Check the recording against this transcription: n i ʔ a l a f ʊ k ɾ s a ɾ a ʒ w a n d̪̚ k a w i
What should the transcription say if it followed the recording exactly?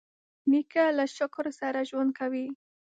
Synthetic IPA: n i k a l a ʃ ʊ k ɾ s a ɾ a ʒ w a n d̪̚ k a w i